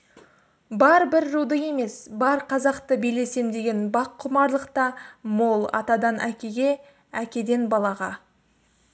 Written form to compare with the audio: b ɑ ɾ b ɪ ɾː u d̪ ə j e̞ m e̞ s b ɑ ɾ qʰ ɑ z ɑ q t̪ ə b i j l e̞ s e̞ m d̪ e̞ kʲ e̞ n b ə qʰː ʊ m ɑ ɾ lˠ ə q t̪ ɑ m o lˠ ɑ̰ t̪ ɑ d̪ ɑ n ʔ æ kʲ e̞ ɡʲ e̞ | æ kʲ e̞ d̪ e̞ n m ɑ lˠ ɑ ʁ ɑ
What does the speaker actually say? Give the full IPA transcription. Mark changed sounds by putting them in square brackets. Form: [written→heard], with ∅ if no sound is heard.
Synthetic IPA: b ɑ ɾ b ɪ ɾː u d̪ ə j e̞ m e̞ s b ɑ ɾ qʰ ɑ z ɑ q t̪ ə b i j l e̞ s e̞ m d̪ e̞ [kʲ→ɡʲ] e̞ n b [ə→ɑ] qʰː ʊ m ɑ ɾ lˠ ə q t̪ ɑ m o lˠ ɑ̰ t̪ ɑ d̪ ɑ n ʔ æ kʲ e̞ ɡʲ e̞ | æ kʲ e̞ d̪ e̞ n [m→b] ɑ lˠ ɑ ʁ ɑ